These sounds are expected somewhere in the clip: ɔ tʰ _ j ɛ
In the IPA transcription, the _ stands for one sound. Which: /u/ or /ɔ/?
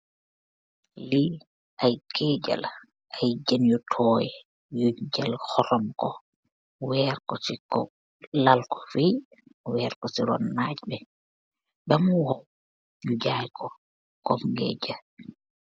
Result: ɔ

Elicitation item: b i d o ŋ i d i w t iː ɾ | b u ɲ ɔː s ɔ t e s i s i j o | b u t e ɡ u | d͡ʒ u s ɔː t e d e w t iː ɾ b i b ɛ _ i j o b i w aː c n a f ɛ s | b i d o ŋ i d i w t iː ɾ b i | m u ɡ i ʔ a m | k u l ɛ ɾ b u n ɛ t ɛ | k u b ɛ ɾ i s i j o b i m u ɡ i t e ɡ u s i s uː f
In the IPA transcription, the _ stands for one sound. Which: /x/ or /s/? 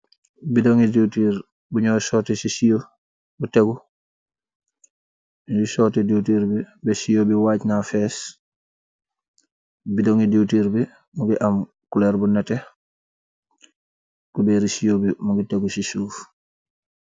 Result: s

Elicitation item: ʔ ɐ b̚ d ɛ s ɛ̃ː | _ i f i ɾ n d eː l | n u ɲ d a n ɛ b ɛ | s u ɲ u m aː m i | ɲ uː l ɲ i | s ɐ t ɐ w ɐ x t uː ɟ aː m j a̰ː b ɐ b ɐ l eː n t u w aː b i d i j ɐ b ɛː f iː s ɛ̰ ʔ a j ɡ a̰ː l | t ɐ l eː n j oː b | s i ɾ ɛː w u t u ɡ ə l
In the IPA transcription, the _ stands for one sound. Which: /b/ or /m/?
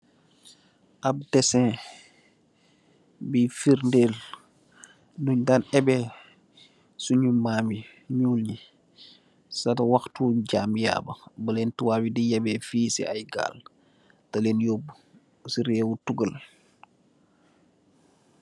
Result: b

